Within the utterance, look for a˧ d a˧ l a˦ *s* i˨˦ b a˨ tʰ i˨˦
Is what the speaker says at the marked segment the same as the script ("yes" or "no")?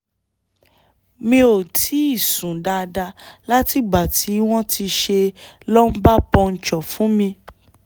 no